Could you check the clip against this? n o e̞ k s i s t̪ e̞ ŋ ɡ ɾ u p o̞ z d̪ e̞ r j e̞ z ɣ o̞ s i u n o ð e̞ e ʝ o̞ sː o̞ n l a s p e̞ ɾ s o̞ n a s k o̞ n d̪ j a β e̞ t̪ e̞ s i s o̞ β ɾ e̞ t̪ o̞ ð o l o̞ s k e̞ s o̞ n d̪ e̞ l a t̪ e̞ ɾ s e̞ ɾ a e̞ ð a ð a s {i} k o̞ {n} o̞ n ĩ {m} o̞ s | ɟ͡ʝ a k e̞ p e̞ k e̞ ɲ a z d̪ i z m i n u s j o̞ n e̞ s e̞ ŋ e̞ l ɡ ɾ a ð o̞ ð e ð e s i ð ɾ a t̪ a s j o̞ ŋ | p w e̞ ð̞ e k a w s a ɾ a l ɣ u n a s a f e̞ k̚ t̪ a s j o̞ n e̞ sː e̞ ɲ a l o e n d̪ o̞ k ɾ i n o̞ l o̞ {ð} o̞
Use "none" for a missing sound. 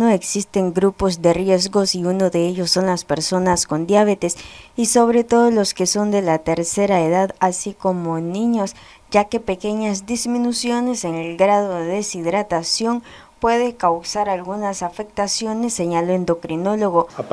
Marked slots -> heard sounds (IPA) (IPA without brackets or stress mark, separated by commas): i, m, ɲ, ɣ